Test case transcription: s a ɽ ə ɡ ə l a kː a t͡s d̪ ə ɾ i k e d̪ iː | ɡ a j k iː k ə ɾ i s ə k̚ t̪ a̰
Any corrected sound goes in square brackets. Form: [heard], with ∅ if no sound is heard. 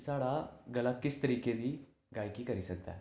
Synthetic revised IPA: s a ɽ [a] ɡ ə l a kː [i] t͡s [t̪] ə ɾ i k e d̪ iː | ɡ a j k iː k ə ɾ i s ə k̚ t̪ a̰